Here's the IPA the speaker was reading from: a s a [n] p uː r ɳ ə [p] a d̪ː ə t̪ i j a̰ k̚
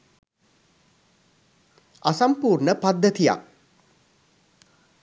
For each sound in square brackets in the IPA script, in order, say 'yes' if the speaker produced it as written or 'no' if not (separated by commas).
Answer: no, yes